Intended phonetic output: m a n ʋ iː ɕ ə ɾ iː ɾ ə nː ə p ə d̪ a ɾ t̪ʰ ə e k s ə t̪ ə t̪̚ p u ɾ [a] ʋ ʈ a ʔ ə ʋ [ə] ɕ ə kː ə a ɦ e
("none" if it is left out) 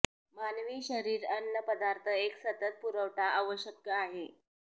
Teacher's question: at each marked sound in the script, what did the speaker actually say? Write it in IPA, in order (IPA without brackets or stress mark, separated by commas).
ə, ə